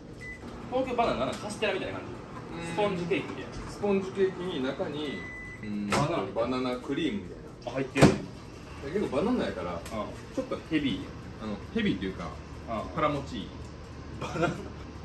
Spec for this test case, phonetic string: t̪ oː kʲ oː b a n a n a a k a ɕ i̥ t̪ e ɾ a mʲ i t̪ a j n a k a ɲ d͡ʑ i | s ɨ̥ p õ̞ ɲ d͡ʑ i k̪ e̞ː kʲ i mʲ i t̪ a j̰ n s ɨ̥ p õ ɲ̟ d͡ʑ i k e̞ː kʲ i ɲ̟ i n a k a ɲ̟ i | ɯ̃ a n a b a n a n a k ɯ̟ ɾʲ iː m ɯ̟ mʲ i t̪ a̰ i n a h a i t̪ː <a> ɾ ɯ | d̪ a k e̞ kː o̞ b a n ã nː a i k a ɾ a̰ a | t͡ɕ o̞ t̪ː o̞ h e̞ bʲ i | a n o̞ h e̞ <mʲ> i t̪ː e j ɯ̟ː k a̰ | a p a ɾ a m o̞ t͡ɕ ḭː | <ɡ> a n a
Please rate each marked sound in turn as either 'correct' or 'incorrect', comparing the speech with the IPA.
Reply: incorrect: e, incorrect: bʲ, incorrect: b

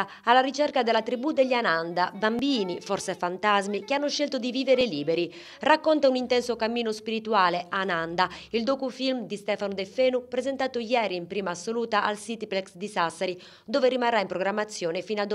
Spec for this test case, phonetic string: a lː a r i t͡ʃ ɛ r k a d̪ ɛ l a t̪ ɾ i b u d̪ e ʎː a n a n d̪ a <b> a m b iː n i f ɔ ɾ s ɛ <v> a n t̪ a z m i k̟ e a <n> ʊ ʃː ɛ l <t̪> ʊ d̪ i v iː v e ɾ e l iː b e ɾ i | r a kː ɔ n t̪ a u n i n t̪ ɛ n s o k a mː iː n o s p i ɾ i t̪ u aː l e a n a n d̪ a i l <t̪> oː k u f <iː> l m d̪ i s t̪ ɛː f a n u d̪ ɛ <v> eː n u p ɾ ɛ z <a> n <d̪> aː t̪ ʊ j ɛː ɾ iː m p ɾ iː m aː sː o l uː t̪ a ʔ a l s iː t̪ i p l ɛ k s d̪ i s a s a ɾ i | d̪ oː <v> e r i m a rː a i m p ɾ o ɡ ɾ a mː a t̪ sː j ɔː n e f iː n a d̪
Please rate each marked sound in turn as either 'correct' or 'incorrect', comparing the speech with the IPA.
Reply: correct, incorrect: f, incorrect: nː, correct, incorrect: d̪, incorrect: i, incorrect: f, incorrect: ɛ, incorrect: t̪, correct

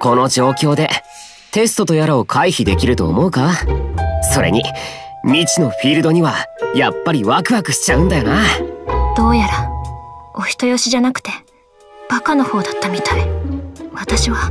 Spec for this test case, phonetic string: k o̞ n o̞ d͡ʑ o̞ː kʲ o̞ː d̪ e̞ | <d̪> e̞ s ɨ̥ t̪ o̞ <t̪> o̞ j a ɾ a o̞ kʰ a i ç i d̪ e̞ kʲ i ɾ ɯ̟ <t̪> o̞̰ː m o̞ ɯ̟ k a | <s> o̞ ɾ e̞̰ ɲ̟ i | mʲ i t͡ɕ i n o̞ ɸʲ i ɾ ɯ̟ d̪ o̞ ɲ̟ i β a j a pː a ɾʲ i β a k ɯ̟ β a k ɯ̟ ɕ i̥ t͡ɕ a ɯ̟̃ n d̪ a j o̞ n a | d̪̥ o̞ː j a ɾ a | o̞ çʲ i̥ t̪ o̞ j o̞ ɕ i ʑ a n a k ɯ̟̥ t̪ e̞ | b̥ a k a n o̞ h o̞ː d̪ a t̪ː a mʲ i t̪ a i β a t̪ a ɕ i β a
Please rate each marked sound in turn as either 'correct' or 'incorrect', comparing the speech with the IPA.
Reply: incorrect: t̪, correct, correct, correct

